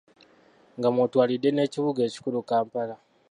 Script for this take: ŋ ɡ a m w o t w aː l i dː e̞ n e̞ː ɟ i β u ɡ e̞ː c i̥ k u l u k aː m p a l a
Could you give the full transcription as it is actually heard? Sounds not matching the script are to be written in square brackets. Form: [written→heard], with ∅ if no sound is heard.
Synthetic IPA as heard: ŋ ɡ a m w o t w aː l i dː e̞ n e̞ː [ɟ→c] i β u ɡ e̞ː c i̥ k u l u k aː m p a l a